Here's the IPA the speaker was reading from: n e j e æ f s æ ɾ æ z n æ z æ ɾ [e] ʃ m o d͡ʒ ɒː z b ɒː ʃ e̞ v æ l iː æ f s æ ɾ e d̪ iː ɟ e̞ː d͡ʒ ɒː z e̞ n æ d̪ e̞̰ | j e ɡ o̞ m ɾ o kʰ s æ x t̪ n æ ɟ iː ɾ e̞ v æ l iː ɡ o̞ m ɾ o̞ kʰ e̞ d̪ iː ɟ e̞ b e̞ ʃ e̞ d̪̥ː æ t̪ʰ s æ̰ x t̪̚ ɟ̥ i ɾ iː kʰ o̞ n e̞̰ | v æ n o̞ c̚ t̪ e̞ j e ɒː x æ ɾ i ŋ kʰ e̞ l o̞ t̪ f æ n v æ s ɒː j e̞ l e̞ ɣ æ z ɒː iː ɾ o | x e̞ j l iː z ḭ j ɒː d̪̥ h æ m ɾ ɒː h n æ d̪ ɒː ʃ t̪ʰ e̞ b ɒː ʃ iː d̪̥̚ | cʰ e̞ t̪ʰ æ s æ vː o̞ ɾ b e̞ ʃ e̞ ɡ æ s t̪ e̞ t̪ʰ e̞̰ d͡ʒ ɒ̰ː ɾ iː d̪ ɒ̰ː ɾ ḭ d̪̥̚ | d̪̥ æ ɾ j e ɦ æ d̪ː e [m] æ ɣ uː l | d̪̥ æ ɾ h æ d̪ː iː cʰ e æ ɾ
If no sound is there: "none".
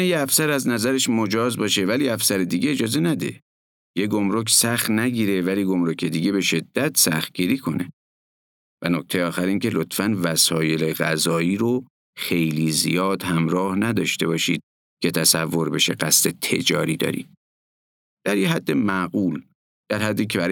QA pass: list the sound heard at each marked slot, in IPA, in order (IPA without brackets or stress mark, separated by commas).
e, m